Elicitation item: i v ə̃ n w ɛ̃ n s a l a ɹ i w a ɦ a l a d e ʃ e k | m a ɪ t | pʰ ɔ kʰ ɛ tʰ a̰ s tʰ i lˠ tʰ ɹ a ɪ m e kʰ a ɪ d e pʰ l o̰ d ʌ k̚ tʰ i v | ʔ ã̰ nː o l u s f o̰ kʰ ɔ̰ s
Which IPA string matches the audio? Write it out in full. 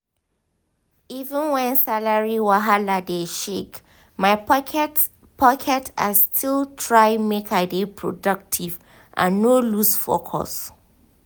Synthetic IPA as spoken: i v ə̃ n w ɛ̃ n s a l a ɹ i w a ɦ a l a d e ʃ e k | m a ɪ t | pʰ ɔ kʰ ɛ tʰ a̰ s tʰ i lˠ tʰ ɹ a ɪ m e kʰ a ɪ d e pʰ ɹ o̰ d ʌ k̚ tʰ i v | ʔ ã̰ nː o l u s f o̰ kʰ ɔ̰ s